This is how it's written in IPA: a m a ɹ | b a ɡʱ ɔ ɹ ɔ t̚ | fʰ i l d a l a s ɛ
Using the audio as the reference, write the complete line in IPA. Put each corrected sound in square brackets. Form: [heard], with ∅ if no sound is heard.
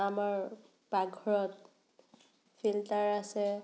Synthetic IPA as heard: a m a ɹ | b a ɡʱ ɔ ɹ ɔ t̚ | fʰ i l [t] a [ɹ] a s ɛ